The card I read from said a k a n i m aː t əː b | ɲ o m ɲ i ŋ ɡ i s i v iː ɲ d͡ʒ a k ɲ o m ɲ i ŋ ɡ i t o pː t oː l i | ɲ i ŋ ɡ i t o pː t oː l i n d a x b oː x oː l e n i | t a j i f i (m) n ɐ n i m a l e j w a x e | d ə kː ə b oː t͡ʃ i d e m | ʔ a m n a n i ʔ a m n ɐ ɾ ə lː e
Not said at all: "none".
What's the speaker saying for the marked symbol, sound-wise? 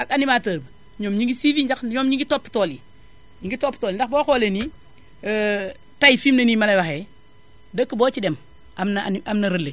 m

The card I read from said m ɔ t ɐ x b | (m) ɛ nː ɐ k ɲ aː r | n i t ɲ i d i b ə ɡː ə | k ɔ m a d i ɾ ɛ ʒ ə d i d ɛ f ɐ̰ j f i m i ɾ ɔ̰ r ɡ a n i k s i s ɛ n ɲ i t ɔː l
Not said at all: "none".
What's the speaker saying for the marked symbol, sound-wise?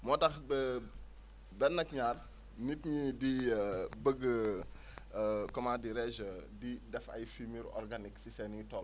b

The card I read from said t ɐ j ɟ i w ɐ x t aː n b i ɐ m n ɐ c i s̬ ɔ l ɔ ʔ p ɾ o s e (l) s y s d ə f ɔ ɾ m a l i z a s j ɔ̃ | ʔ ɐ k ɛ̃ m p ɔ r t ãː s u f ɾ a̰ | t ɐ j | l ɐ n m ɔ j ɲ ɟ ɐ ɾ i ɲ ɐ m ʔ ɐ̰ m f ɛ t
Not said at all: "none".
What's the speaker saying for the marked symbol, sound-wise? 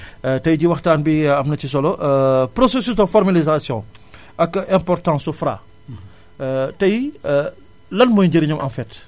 none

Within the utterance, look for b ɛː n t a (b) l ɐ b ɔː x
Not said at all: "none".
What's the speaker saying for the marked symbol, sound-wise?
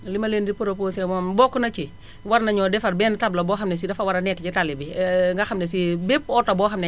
b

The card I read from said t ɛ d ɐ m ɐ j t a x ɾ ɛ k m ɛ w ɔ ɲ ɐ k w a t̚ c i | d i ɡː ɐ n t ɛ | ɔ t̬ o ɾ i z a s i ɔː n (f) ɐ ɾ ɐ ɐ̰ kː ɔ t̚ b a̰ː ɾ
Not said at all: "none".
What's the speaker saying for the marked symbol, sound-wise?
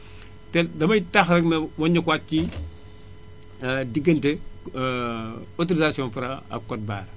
f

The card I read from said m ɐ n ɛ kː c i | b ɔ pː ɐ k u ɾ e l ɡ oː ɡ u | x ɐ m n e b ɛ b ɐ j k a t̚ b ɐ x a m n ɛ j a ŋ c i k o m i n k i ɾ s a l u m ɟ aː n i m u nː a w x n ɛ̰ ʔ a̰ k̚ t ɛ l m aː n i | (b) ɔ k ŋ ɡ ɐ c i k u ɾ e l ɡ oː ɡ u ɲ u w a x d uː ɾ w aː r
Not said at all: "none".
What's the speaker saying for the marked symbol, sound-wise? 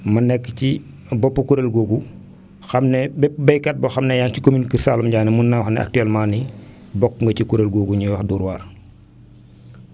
b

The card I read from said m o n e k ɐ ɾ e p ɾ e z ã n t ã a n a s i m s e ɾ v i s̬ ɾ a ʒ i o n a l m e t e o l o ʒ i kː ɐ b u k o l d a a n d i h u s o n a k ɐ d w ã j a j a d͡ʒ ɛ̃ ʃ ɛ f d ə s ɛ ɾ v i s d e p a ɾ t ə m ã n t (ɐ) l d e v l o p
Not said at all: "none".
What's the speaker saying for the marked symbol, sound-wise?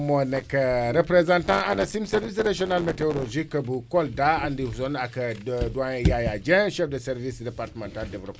a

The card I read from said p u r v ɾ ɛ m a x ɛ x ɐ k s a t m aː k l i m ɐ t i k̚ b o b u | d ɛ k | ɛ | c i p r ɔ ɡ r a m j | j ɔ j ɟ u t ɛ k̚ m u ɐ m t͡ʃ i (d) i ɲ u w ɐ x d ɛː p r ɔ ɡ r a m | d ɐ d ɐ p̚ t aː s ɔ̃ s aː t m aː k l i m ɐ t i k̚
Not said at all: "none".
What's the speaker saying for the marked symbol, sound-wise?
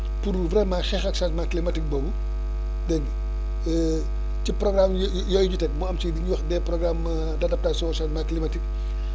d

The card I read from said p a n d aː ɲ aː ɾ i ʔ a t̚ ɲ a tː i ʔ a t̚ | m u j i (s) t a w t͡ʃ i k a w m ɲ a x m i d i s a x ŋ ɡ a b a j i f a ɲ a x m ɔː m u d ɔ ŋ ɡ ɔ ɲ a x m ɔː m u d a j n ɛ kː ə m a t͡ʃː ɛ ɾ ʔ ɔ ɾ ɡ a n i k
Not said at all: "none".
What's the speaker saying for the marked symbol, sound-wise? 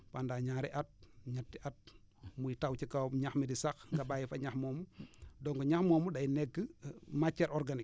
none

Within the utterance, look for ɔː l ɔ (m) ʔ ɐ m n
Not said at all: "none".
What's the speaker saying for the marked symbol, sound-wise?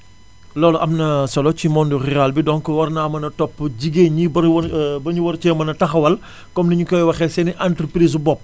none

